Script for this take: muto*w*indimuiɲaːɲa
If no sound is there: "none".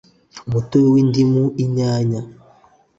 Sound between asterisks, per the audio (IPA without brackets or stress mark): w